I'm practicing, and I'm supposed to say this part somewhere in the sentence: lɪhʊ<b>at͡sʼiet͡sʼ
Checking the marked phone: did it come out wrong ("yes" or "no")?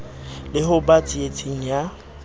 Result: no